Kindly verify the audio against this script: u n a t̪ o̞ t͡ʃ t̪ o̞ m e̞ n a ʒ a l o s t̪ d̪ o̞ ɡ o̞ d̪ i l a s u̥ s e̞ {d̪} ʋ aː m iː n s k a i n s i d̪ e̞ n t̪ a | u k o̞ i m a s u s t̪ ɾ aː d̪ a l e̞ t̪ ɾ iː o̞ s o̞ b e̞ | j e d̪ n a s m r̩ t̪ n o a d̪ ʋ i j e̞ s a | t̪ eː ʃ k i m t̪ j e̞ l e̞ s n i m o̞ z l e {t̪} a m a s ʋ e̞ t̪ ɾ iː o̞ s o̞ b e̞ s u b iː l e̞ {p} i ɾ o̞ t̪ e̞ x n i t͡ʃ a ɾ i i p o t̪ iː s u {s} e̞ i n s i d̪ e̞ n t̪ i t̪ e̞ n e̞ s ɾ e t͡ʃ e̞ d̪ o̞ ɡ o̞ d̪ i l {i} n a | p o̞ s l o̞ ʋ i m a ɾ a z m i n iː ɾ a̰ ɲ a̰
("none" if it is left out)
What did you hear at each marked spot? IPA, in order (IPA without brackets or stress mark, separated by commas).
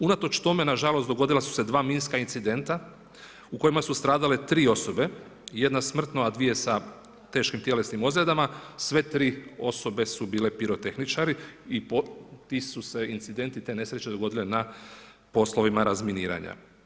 d̪, d̪, p, s, e